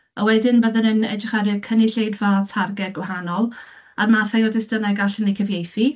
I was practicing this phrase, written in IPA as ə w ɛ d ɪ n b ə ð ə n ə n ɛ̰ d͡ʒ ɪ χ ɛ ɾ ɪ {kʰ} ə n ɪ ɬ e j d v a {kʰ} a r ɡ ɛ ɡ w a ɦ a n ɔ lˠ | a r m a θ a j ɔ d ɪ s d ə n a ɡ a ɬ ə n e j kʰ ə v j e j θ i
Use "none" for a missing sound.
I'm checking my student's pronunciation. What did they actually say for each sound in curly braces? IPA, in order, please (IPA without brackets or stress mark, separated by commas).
kʰ, tʰ